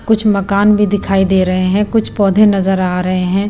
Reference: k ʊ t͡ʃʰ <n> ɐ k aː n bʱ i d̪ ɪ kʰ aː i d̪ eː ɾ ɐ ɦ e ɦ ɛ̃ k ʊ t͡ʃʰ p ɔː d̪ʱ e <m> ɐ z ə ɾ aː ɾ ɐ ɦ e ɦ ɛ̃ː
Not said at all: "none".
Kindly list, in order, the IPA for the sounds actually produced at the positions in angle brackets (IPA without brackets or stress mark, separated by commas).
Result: m, n